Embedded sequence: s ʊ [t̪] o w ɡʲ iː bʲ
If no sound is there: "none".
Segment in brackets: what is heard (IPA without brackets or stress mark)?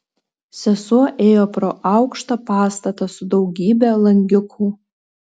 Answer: d̪